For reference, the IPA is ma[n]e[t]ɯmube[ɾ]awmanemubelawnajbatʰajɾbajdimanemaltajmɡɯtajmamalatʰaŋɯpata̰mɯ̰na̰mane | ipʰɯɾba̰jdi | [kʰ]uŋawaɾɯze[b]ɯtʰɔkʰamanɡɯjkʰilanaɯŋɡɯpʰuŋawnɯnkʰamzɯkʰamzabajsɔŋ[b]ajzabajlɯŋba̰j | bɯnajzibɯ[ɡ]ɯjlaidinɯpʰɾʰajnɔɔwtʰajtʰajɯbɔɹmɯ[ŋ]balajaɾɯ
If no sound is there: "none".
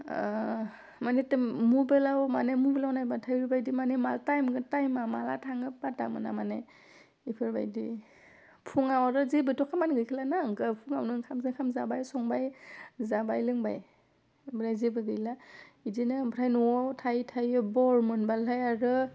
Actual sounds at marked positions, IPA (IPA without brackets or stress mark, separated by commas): n, t, l, pʰ, b, b, ɡ, n